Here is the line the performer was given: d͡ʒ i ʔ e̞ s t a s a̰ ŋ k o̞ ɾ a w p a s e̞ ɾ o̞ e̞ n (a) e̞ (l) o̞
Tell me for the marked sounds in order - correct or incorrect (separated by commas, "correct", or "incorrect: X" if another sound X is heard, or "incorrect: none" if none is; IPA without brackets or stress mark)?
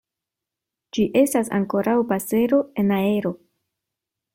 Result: correct, incorrect: ɾ